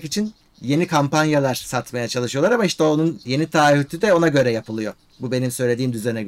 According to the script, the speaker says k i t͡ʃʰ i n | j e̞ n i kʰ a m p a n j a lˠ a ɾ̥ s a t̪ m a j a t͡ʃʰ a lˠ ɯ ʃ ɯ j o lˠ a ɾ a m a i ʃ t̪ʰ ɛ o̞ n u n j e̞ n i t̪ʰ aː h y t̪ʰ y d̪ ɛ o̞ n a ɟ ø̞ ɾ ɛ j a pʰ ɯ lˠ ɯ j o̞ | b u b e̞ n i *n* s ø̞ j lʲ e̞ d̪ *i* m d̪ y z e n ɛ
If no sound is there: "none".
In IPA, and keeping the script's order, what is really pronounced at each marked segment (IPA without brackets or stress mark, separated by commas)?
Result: m, iː